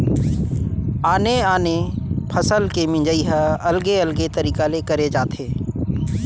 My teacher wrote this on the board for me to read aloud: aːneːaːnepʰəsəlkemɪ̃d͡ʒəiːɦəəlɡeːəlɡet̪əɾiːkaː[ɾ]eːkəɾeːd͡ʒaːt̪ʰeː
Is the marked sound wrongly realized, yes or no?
yes